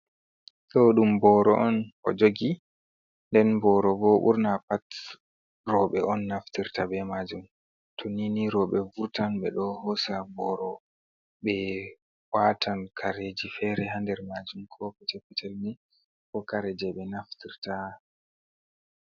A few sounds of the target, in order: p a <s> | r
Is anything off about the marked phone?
yes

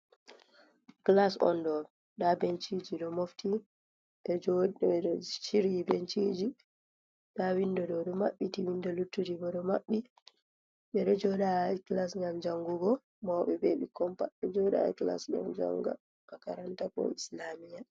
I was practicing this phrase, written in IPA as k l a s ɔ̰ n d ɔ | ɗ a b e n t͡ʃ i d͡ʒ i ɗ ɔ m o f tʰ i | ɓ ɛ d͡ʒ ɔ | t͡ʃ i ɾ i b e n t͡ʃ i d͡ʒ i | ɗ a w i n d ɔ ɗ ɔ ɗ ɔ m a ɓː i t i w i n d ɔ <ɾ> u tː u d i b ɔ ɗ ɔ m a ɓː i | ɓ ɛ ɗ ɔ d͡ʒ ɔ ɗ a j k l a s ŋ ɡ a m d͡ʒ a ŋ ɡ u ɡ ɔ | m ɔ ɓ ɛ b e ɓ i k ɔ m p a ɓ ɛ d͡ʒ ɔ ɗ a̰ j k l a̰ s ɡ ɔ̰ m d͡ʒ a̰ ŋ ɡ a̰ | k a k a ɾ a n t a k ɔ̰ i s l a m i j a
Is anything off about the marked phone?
yes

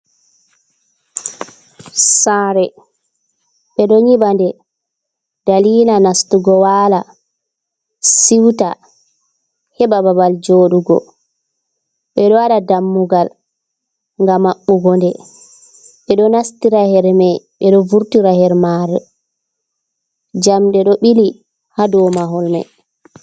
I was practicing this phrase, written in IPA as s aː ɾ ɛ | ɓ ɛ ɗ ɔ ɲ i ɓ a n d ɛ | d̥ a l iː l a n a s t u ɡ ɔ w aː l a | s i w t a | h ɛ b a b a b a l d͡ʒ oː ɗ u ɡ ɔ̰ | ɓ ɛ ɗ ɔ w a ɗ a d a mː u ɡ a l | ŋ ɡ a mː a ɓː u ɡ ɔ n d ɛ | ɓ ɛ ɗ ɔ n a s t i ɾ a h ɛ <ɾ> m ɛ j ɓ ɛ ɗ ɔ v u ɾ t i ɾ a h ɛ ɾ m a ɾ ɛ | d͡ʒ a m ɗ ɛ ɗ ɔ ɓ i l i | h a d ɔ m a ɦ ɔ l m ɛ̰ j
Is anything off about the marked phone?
no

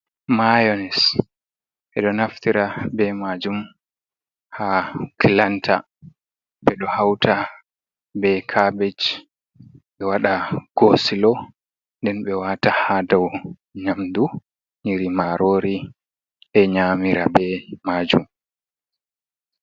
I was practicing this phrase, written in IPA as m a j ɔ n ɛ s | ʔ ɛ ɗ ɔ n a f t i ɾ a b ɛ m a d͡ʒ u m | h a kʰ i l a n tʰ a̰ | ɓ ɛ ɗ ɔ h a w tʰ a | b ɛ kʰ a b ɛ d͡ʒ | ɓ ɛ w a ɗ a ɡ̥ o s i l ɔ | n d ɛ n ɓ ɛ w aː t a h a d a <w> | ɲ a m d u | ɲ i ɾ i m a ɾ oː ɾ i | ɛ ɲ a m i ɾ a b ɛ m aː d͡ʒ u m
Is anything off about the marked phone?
no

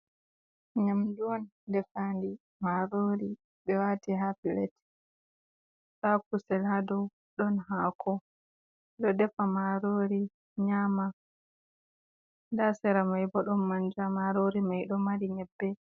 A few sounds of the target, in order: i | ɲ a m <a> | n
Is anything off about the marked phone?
no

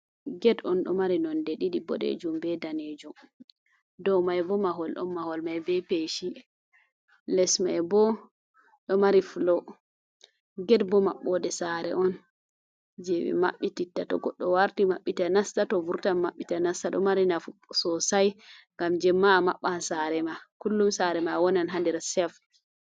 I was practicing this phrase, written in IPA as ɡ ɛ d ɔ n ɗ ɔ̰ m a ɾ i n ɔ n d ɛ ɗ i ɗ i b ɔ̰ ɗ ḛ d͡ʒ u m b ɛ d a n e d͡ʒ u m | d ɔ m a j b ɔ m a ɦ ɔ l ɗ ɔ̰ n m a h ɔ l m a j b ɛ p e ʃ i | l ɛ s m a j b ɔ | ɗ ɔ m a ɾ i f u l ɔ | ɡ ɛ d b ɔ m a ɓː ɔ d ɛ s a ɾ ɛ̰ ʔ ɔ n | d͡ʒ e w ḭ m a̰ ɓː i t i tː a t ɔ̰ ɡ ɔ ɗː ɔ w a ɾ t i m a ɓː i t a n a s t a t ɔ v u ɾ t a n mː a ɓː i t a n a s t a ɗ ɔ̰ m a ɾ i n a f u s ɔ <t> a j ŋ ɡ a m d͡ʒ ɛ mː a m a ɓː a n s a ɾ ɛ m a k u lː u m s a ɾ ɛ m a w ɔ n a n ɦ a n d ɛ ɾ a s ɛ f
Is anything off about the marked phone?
yes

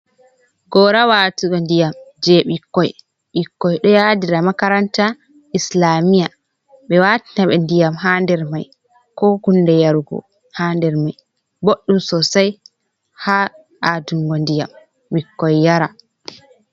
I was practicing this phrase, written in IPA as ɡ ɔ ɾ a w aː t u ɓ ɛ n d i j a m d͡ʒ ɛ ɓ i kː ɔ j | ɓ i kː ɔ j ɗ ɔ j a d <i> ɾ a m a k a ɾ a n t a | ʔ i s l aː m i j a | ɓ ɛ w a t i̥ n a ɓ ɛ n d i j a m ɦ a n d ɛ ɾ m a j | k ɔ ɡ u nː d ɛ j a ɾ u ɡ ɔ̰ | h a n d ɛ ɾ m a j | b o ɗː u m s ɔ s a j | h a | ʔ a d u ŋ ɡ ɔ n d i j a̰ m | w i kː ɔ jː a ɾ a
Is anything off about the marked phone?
no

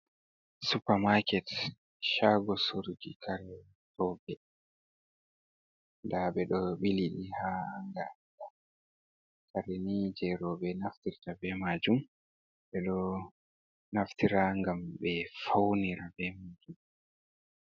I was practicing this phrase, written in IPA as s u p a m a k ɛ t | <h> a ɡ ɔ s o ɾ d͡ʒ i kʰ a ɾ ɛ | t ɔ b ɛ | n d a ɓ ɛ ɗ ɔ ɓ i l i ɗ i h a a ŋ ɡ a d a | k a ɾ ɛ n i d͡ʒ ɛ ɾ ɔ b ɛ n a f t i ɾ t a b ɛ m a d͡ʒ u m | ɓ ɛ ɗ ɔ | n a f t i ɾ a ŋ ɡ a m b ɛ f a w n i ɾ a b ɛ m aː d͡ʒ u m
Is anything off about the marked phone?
yes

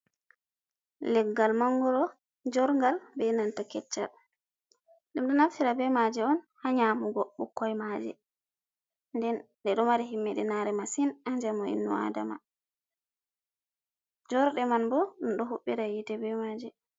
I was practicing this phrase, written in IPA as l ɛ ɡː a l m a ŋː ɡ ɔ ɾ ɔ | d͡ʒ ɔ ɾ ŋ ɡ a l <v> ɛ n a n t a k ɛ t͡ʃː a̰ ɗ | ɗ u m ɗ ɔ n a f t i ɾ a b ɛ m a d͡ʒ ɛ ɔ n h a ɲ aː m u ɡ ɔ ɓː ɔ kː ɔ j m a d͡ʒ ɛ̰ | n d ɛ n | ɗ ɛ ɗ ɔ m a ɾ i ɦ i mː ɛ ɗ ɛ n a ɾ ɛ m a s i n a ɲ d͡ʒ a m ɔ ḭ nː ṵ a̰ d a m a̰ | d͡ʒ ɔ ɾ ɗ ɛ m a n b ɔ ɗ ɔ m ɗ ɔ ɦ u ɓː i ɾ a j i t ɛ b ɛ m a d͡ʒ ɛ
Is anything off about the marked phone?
yes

